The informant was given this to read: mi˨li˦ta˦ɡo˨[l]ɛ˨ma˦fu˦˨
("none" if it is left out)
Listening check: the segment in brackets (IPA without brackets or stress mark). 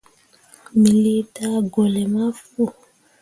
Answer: l